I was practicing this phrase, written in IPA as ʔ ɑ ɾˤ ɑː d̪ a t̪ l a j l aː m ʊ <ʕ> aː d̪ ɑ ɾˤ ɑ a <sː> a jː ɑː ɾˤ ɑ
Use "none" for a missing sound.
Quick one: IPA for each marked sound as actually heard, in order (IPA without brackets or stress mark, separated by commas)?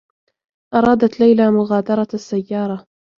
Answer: ɣ, sː